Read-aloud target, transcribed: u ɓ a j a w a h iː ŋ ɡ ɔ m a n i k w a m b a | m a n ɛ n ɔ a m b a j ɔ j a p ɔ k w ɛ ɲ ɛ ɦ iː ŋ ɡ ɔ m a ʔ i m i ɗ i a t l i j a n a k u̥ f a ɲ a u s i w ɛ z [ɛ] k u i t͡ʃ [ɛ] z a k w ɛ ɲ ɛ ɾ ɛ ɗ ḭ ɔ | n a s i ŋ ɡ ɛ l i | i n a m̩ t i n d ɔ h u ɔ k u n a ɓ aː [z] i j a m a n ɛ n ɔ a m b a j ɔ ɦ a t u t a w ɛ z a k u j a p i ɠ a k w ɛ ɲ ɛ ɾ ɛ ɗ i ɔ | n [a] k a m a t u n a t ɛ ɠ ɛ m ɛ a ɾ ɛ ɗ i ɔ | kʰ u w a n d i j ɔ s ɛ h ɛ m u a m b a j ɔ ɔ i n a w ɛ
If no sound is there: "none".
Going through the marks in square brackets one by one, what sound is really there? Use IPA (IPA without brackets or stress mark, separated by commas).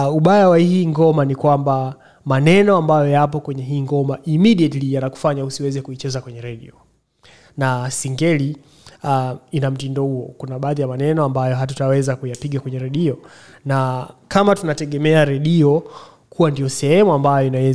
ɛ, ɛ, ð, a